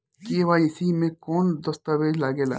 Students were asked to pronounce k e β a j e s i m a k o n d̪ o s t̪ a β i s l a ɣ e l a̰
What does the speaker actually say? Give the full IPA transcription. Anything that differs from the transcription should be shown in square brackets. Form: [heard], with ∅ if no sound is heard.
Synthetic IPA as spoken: k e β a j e s i m [e] k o n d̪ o s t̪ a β [e] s l a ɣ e l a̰